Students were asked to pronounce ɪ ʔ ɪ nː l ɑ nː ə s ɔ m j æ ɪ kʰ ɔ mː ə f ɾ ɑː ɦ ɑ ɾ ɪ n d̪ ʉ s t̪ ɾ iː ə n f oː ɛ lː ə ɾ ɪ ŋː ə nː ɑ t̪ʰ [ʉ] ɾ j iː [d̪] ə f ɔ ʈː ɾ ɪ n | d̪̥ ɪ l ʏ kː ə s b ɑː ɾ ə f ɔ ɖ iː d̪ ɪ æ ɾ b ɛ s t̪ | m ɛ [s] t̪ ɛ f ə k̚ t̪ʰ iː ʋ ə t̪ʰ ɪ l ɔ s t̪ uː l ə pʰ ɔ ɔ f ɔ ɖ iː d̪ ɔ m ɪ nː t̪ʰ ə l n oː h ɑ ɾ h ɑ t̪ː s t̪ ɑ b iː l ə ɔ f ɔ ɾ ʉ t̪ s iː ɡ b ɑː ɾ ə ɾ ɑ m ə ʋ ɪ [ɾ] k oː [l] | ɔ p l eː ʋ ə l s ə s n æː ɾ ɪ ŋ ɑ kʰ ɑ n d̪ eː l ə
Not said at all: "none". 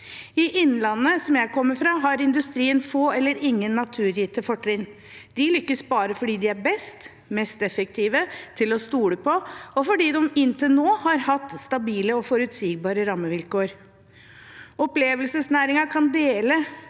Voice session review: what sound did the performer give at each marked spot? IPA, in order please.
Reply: ʉː, t̪, s, l, ɾ

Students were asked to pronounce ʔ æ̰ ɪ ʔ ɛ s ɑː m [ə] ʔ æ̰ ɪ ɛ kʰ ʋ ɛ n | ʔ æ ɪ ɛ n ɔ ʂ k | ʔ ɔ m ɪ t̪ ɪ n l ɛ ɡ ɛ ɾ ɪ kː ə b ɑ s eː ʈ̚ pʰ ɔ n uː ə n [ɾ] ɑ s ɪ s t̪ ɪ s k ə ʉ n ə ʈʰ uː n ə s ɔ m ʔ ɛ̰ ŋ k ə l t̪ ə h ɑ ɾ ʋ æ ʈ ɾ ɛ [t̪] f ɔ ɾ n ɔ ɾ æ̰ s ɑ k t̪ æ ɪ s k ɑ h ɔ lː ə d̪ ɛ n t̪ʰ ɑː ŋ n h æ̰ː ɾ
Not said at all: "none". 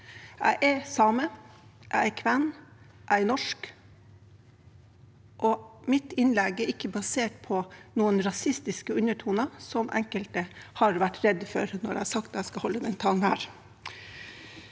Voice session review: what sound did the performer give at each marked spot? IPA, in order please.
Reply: ə, ɾ, d̪

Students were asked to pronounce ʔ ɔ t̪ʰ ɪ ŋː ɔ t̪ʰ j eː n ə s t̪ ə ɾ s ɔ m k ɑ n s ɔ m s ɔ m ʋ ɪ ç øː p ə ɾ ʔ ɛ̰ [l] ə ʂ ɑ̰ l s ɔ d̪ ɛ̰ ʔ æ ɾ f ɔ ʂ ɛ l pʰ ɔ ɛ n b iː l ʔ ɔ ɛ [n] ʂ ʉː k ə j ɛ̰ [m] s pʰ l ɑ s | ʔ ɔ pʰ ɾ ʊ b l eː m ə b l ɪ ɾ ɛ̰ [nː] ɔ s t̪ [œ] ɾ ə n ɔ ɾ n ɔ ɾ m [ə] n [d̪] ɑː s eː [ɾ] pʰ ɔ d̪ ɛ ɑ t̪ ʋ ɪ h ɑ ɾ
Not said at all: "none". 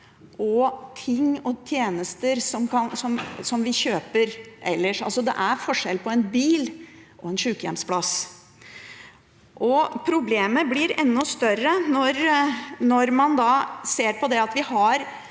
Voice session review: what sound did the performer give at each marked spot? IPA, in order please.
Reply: lː, n, m, nː, œ, ɑ, d̪, ɾ

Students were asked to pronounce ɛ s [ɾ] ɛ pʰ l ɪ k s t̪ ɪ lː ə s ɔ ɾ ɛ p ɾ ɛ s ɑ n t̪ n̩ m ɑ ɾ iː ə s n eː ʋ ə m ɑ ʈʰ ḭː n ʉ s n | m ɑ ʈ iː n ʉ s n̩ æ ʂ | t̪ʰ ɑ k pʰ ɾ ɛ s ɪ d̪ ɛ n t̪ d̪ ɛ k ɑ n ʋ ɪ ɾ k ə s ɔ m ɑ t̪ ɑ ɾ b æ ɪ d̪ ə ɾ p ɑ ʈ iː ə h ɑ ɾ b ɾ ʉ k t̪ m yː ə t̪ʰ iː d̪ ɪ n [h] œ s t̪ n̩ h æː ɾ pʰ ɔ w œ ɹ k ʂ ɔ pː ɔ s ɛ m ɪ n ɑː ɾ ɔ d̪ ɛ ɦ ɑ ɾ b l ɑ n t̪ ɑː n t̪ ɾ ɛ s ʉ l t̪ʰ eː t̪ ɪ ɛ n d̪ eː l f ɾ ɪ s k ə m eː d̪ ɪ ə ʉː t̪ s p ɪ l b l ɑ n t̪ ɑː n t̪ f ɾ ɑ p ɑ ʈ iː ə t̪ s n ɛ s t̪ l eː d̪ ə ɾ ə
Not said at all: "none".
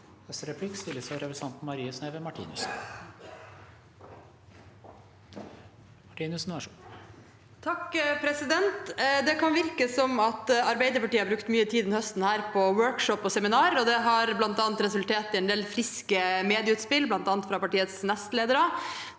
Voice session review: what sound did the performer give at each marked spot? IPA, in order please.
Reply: ɾ, h

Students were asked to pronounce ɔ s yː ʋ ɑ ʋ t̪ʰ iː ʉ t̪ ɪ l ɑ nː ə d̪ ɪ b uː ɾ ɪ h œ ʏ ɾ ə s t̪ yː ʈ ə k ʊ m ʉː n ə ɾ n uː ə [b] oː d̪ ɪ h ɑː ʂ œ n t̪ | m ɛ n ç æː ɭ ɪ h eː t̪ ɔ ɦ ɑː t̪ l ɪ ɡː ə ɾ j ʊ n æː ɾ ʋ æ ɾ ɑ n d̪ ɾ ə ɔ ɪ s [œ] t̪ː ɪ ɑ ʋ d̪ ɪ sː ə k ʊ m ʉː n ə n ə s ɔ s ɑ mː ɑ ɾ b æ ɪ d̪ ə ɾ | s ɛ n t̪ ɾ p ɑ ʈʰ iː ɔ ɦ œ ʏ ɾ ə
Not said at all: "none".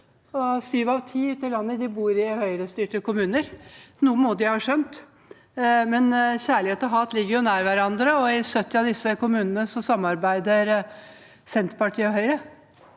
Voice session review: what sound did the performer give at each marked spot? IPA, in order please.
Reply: m, œ

